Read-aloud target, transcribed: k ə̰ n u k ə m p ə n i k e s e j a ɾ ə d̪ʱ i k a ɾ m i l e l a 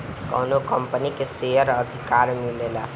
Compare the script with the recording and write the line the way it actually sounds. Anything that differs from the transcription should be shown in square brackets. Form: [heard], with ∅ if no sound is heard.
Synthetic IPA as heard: k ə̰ n [o] k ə m p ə n i k e s e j [ə] ɾ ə d̪ʱ i k a ɾ m i l e l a